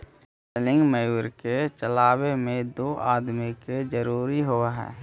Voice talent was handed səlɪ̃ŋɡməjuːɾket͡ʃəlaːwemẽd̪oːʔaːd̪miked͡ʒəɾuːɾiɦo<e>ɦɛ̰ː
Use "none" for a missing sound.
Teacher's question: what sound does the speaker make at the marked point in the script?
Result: a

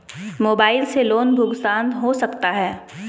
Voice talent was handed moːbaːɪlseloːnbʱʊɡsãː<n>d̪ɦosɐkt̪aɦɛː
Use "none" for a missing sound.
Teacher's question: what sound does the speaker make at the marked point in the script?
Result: n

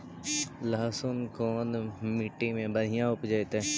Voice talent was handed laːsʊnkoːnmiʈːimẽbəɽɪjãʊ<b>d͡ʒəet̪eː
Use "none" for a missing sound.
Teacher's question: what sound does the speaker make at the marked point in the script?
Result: p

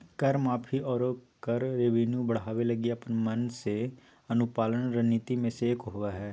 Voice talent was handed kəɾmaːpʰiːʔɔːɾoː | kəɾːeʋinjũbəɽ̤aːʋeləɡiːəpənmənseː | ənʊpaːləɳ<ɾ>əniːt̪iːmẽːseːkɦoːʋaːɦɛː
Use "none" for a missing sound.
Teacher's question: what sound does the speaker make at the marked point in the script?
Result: ɾ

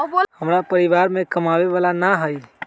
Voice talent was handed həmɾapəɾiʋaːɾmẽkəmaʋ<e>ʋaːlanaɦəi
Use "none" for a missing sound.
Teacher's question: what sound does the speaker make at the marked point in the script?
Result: e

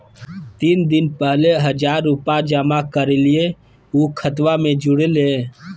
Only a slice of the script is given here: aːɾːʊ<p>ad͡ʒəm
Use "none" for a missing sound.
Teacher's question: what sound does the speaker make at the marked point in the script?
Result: p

